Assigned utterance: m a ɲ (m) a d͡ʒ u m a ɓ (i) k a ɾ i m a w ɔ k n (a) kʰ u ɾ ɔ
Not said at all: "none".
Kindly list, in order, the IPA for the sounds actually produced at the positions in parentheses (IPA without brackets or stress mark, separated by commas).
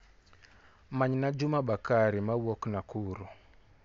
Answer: n, a, a